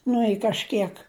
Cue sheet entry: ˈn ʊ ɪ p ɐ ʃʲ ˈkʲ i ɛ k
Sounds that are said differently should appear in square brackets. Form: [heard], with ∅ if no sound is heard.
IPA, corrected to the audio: ˈn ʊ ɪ [k] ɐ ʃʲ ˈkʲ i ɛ k